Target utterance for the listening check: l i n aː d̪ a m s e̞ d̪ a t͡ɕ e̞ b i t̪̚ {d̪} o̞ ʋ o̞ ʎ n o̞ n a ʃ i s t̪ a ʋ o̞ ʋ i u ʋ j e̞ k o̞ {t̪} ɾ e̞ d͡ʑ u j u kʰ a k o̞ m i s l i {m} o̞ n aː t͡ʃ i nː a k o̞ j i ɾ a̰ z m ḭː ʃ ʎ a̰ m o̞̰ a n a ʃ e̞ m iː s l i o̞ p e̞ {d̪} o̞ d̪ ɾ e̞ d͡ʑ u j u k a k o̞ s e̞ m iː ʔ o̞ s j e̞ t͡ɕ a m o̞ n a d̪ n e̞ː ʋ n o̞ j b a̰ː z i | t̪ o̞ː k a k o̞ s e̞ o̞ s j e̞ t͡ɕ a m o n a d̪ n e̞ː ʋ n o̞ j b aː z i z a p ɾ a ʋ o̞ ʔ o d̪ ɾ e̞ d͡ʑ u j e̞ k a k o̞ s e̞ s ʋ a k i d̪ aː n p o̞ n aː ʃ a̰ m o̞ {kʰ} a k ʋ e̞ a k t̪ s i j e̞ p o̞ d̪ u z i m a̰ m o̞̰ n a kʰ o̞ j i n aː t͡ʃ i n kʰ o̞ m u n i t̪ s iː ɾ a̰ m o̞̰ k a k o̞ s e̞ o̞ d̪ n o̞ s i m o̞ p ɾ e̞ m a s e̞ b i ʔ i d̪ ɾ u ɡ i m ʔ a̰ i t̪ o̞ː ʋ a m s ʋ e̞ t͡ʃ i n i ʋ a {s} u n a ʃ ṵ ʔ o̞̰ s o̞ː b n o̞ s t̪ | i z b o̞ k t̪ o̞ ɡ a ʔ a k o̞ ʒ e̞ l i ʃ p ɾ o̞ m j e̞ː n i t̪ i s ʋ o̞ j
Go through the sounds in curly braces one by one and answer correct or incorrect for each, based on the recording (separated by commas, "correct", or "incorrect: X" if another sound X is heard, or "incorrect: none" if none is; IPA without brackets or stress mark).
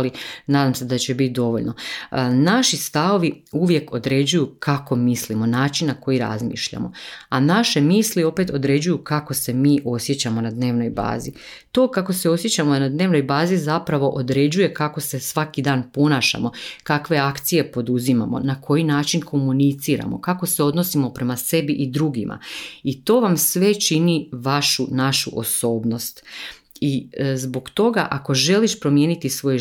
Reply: correct, incorrect: d̪, correct, incorrect: t̪, incorrect: k, incorrect: ʃ